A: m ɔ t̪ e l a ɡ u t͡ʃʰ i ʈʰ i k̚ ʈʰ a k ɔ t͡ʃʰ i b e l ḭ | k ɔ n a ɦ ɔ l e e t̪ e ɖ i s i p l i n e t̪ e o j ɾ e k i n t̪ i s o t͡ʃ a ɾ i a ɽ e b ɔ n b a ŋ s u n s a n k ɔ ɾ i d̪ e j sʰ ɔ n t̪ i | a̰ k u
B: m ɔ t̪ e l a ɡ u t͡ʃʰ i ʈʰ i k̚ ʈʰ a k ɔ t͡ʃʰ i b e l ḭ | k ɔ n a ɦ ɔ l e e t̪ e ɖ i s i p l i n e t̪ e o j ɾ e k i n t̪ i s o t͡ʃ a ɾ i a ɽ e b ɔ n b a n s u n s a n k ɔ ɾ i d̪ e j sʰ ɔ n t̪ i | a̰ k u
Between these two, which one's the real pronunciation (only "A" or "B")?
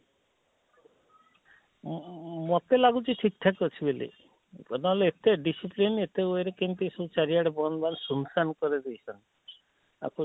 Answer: B